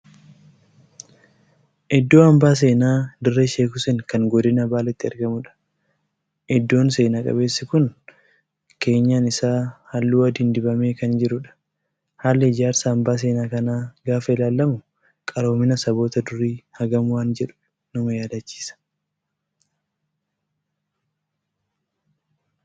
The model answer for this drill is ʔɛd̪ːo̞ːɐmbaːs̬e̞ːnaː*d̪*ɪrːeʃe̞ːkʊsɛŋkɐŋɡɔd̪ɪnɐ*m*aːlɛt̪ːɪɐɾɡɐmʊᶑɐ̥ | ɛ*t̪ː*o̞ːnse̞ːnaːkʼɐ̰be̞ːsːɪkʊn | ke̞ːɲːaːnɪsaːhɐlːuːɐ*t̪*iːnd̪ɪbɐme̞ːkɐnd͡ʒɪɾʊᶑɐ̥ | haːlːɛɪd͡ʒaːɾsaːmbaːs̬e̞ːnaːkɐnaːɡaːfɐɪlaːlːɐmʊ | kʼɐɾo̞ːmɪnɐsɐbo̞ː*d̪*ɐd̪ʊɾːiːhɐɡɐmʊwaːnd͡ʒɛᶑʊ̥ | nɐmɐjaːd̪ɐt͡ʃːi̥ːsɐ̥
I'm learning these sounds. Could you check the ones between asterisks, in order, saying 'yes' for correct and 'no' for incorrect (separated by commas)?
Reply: yes, no, no, no, no